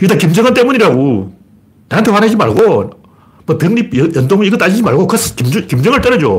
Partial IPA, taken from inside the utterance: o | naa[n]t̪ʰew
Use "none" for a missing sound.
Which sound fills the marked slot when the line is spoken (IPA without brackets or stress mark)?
n